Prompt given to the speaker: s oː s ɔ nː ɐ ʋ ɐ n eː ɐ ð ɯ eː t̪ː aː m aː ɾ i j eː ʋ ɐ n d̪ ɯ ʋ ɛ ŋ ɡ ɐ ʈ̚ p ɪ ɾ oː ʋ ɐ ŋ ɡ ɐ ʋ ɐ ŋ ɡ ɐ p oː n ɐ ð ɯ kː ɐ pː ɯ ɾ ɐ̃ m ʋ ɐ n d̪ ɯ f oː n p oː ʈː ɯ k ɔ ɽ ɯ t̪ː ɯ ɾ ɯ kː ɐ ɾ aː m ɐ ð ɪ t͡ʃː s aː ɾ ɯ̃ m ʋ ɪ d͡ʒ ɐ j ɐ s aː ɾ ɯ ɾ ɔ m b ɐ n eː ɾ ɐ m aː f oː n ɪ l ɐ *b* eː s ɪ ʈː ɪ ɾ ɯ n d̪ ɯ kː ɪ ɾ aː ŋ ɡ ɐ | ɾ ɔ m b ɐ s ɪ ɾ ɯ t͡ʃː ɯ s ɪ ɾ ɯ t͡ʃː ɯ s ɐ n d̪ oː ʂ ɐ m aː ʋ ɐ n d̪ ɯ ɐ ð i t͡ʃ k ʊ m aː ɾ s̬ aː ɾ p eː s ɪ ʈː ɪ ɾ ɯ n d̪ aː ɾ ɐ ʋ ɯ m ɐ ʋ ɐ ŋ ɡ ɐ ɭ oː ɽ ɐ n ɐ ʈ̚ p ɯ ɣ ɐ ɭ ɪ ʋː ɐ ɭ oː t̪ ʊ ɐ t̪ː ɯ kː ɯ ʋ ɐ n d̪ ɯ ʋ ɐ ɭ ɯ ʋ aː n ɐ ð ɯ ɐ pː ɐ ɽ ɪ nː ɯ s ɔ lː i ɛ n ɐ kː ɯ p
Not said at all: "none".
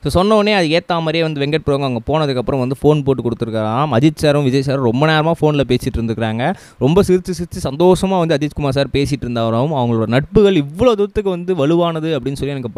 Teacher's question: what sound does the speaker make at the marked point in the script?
p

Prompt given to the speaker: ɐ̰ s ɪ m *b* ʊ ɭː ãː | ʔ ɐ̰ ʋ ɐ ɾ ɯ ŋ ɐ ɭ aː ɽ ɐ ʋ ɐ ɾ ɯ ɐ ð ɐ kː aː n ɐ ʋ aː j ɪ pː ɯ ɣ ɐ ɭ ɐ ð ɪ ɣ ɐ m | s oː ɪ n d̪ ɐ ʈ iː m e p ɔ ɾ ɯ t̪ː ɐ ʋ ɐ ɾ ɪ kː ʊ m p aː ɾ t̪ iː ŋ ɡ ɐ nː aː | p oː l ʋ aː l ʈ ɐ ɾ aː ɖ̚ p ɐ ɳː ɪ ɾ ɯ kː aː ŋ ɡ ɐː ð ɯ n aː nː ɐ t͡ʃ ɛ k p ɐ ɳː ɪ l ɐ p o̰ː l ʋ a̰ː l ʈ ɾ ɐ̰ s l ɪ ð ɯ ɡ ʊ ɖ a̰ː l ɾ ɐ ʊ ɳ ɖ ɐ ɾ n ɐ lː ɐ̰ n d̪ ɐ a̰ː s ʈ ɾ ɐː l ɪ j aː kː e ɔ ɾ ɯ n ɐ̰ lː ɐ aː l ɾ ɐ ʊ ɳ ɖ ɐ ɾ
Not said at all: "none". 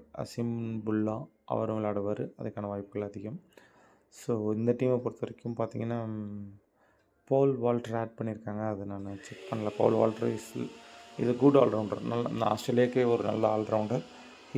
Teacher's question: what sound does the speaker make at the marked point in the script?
b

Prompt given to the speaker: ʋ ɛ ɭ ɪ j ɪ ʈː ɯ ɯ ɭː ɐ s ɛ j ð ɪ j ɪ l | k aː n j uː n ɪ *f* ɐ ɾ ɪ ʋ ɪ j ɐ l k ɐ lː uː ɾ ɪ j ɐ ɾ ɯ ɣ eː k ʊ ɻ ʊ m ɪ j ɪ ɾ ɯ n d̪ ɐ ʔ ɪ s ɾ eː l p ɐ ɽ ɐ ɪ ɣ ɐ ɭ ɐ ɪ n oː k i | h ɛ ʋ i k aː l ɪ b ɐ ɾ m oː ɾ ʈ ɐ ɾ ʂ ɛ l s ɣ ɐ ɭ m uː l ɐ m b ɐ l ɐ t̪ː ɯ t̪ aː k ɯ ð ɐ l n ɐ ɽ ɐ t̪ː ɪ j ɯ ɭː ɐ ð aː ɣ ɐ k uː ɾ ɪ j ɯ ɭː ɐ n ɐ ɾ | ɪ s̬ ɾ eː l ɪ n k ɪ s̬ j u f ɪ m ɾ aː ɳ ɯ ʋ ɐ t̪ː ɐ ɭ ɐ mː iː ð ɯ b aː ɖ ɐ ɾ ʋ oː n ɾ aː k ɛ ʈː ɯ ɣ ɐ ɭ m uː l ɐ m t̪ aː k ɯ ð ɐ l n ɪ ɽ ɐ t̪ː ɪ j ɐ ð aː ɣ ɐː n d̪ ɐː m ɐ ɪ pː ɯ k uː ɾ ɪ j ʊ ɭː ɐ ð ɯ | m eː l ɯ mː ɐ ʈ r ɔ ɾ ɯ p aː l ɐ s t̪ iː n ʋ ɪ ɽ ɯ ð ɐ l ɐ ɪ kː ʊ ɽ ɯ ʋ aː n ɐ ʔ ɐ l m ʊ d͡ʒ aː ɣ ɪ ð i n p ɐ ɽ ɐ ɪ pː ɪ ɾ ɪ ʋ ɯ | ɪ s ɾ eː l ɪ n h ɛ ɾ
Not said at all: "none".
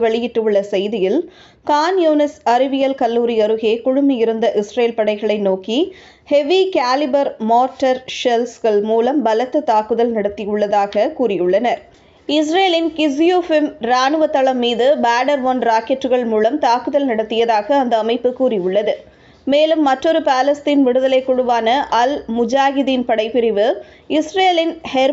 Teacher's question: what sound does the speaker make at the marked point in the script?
s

